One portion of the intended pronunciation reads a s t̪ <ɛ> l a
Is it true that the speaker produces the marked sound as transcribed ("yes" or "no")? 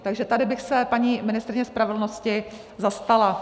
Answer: no